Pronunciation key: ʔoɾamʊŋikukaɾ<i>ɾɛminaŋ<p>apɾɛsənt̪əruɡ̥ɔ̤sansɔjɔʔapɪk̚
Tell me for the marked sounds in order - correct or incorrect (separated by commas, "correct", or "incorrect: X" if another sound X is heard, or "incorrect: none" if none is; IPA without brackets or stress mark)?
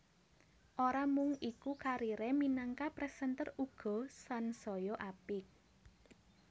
correct, incorrect: k